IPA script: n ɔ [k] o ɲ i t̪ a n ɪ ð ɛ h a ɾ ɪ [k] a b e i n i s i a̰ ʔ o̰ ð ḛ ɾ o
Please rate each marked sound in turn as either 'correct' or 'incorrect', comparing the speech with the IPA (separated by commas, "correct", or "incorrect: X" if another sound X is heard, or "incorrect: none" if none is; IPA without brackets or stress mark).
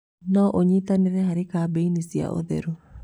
incorrect: ʔ, correct